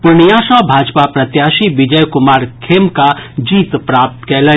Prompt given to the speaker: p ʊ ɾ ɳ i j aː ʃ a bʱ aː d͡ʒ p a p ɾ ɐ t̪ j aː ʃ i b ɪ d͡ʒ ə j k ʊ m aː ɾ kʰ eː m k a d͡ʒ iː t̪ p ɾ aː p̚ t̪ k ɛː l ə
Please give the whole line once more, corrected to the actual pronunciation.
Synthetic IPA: p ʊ ɾ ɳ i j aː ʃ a bʱ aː d͡ʒ p a p ɾ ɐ t̪ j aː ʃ i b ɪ d͡ʒ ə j k ʊ m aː ɾ kʰ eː m k a d͡ʒ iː t̪ p ɾ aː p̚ t̪ k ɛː l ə